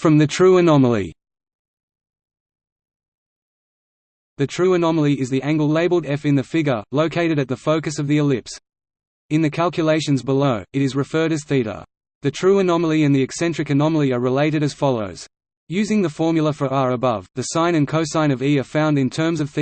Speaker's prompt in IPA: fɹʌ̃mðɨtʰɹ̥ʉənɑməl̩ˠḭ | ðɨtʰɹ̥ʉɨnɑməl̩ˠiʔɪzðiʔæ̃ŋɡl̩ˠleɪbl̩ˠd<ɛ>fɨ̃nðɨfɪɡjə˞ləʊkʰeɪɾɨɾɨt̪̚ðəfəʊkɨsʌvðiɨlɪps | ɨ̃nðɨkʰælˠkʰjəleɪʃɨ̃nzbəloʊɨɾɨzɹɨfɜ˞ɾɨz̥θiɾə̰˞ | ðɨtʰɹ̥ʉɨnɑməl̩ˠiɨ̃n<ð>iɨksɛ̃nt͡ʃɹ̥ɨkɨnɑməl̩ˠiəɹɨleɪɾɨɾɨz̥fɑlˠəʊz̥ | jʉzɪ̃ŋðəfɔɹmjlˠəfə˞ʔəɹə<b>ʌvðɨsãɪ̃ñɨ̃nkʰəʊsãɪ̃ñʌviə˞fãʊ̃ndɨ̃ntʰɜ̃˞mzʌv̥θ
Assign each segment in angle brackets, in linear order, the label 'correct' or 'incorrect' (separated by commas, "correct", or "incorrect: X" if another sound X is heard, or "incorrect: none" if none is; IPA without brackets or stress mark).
correct, correct, correct